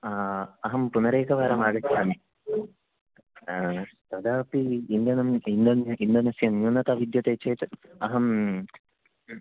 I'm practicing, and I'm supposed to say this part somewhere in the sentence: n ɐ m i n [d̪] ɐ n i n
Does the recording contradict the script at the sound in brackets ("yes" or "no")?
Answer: no